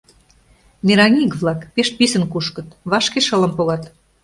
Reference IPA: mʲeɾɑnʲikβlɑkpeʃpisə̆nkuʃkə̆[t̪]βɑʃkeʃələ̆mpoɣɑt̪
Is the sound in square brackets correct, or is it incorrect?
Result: correct